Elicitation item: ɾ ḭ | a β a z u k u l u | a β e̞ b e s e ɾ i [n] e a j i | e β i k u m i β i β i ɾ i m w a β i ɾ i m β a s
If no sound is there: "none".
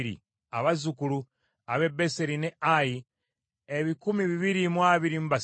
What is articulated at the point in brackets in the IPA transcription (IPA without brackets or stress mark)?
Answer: n